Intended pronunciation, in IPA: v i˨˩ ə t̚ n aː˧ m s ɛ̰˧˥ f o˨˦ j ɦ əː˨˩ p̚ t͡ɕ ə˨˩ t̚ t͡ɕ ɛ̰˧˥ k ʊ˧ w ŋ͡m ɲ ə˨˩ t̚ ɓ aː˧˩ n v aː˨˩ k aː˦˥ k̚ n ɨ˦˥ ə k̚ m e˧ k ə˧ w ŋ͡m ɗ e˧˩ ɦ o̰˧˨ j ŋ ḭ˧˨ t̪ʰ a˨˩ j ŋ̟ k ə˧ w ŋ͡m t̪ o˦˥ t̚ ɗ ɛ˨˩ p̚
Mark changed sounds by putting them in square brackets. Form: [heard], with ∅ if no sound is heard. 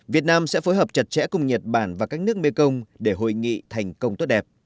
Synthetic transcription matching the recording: v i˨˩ ə t̚ n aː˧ m s ɛ̰˧˥ f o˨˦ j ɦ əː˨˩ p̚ t͡ɕ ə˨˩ t̚ t͡ɕ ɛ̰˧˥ k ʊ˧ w ŋ͡m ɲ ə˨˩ t̚ ɓ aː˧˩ n v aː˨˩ k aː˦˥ k̚ n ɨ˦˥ ə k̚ m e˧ k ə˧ w ŋ͡m ɗ e˧˩ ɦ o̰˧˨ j ŋ ḭ˧˨ t̪ʰ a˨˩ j ŋ̟ k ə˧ w ŋ͡m t̪ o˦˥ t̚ ɗ ɛ˨˩ p̚